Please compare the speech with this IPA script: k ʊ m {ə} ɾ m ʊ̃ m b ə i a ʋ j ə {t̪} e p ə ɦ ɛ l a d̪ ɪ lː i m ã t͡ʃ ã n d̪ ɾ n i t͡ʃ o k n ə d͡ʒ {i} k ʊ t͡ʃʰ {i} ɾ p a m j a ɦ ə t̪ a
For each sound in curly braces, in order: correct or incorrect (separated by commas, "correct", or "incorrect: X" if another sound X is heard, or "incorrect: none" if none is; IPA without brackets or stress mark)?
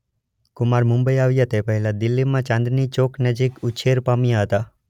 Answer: incorrect: a, correct, correct, incorrect: e